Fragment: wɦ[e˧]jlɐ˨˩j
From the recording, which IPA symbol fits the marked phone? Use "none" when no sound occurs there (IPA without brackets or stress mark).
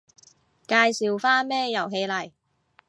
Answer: e˧